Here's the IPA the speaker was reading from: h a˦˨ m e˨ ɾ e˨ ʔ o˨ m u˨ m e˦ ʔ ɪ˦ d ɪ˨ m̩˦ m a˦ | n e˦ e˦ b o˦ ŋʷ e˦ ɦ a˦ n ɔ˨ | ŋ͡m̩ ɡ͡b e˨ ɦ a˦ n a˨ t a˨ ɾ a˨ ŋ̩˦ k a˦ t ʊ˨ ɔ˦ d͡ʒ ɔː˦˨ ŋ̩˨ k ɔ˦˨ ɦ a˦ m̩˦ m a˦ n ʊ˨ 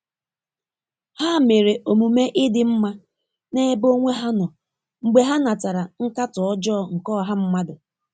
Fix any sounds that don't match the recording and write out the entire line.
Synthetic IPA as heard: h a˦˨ m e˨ ɾ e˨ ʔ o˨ m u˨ m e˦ ʔ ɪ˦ d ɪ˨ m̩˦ m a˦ | n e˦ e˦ b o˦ ŋʷ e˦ ɦ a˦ n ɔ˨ | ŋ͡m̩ ɡ͡b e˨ ɦ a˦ n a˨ t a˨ ɾ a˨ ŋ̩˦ k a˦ t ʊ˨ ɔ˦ d͡ʒ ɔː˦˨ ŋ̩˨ k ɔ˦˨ ɦ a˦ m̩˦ m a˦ d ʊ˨

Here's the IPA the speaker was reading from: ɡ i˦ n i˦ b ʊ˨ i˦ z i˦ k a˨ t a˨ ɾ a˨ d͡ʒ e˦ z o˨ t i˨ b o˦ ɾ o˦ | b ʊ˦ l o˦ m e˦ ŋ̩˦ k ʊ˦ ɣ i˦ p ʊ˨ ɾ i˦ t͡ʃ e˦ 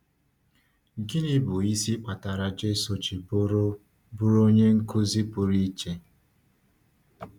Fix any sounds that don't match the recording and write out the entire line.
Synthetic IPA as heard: ɡ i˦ n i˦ b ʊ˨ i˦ s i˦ k͡p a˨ t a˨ ɾ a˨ d͡ʒ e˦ s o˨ t͡ʃ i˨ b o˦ ɾ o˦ | b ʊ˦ ɾ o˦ ɲ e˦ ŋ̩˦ k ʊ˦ z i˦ p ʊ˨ ɾ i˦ t͡ʃ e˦

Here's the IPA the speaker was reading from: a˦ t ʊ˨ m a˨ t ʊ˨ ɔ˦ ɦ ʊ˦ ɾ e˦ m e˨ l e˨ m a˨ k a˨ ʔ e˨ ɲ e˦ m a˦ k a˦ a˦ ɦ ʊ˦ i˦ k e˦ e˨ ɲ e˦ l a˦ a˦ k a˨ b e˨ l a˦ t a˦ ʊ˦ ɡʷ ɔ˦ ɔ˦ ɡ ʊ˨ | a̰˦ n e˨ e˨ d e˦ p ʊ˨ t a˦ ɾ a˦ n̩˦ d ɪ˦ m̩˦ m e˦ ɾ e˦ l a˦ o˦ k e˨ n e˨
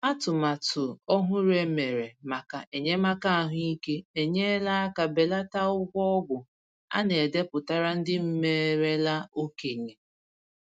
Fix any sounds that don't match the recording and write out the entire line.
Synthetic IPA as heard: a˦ t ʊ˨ m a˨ t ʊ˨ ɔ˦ ɦ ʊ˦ ɾ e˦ m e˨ ɾ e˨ m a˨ k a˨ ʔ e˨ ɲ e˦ m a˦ k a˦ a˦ ɦ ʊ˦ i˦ k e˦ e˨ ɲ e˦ l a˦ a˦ k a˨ b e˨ l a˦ t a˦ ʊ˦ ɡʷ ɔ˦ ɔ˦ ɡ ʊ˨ | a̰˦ n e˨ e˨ d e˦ p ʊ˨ t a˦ ɾ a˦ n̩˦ d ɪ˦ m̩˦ m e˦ ɾ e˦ l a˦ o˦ k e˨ ɲ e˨

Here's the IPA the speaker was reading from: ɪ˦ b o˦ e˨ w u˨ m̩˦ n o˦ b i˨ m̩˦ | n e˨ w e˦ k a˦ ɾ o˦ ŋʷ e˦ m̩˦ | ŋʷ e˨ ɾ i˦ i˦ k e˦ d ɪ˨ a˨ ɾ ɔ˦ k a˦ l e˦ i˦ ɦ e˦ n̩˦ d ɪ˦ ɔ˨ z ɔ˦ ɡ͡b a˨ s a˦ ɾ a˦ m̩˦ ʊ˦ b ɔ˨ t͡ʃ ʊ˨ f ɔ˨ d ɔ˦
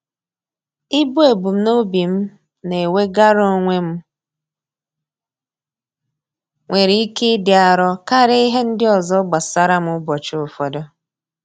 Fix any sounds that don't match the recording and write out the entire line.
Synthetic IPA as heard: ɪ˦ b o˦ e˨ b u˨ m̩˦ n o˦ b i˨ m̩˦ | n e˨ w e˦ ɡ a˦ ɾ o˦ ŋʷ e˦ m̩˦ | ŋʷ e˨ ɾ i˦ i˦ k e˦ d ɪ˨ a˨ ɾ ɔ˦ k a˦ ɾ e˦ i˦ ɦ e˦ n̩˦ d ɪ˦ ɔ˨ z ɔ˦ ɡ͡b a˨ s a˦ ɾ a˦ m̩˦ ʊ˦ b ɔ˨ t͡ʃ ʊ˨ f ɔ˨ d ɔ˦

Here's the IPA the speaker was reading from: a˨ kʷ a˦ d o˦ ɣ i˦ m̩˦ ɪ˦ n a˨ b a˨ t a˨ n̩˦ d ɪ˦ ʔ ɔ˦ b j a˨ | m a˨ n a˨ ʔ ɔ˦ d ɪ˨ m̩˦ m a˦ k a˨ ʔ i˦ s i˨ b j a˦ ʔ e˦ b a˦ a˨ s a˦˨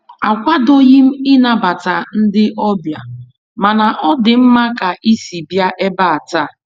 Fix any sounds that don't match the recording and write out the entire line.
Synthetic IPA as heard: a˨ kʷ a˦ d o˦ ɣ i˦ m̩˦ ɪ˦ n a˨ b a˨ t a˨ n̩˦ d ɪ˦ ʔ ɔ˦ b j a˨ | m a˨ n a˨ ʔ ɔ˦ d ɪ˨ m̩˦ m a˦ k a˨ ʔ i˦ s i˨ b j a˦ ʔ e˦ b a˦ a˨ t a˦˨

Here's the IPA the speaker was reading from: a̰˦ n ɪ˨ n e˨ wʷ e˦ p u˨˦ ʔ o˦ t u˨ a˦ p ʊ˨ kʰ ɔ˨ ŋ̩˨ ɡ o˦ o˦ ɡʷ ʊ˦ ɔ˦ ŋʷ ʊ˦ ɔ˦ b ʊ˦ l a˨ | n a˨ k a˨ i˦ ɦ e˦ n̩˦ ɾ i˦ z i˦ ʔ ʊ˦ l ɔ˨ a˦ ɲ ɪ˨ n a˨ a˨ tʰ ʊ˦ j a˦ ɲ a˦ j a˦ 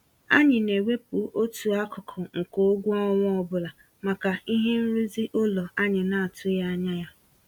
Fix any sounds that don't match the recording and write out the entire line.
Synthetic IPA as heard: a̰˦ ɲ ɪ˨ n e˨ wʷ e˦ p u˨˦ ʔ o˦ t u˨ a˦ k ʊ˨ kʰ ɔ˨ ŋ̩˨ k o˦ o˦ ɡʷ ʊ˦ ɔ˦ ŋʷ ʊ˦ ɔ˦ b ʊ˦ l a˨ | m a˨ k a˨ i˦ ɦ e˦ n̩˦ ɾ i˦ z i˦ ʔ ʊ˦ l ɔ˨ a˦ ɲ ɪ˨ n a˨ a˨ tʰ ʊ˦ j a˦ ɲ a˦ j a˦

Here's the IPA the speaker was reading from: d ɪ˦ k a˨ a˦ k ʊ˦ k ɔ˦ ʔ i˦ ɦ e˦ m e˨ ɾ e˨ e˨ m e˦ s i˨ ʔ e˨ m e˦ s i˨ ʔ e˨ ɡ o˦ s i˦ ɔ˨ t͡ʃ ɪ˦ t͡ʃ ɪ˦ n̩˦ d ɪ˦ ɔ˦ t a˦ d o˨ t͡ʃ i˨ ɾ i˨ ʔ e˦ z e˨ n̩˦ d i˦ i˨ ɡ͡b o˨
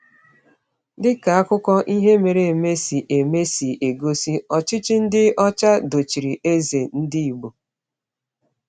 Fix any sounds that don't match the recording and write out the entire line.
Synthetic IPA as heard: d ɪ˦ k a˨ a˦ k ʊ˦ k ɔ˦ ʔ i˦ ɦ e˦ m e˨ ɾ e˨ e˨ m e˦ s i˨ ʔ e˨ m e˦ s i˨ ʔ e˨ ɡ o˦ s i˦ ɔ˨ t͡ʃ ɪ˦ t͡ʃ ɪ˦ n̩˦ d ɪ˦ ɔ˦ t͡ʃ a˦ d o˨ t͡ʃ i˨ ɾ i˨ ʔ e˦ z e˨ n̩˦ d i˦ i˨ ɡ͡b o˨

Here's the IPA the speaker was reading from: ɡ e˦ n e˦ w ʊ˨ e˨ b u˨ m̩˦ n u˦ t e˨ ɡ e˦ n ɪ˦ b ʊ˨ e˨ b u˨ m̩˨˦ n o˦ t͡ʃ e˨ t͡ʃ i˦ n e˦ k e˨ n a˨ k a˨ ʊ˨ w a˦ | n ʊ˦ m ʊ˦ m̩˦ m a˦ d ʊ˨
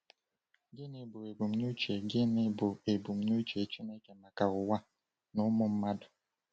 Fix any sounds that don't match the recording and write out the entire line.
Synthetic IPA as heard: ɡ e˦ n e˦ b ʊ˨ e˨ b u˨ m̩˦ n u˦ t͡ʃ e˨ ɡ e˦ n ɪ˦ b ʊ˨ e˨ b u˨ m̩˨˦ n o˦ t͡ʃ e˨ t͡ʃ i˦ n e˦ k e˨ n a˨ k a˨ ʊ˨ w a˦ | n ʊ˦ m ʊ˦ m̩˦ m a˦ d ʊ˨

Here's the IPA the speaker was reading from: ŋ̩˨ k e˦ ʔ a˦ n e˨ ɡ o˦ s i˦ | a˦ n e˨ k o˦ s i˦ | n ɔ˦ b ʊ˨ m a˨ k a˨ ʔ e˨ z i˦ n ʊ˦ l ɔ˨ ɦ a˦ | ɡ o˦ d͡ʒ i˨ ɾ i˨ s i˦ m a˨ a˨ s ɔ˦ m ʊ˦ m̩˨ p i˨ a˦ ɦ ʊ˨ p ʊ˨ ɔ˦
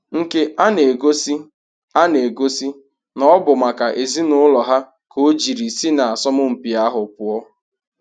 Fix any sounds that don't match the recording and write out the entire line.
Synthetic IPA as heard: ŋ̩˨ k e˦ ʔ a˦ n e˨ ɡ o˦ s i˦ | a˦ n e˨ ɡ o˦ s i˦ | n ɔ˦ b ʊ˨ m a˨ k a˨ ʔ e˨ z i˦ n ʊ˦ l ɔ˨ ɦ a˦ | k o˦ d͡ʒ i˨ ɾ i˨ s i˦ n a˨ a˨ s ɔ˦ m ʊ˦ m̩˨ p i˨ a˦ ɦ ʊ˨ p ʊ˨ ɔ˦

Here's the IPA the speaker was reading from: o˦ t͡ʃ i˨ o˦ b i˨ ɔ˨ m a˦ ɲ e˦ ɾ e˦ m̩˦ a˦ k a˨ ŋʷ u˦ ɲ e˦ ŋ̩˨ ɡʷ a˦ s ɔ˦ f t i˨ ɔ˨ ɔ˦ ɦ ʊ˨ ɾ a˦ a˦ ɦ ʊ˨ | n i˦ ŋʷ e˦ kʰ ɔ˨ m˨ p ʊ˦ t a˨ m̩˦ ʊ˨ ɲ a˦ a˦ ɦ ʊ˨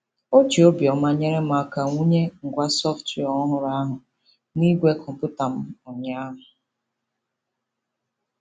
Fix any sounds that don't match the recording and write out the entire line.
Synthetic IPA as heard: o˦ t͡ʃ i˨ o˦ b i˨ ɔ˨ m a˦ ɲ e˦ ɾ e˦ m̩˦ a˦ k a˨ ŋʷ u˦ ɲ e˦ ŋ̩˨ ɡʷ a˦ s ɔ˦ f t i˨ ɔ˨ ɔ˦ ɦ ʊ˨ ɾ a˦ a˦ ɦ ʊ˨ | n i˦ ɡʷ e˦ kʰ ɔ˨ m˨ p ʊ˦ t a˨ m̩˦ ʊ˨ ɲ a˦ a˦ ɦ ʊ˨

